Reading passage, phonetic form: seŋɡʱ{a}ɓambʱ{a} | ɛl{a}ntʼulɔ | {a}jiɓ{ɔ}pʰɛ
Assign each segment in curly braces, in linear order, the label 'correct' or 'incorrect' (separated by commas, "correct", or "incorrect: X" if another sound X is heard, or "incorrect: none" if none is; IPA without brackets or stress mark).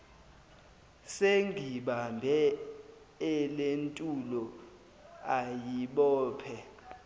incorrect: i, incorrect: ɛ, incorrect: e, correct, incorrect: ɔː